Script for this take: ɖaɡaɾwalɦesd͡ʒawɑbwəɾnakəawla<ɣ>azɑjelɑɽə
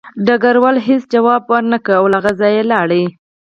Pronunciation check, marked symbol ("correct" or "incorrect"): correct